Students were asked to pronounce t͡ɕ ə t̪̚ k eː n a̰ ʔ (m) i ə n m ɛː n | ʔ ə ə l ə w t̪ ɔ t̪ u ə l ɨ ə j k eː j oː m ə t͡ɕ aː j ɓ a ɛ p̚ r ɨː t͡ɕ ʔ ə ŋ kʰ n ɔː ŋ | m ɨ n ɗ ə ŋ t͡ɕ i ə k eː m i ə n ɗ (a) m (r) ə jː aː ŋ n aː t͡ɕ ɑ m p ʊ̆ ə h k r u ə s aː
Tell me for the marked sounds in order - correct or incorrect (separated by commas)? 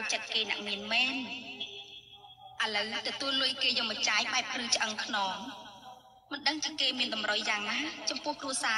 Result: correct, incorrect, correct